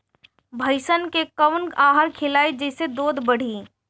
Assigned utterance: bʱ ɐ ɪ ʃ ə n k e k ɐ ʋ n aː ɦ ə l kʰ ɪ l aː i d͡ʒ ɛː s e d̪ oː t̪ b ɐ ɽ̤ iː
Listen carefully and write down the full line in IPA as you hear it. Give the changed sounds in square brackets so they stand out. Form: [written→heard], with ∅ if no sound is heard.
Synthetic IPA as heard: bʱ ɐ ɪ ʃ ə n k e k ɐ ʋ n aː ɦ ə [l→ɾ] kʰ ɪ l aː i d͡ʒ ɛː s e d̪ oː [t̪→d̪] b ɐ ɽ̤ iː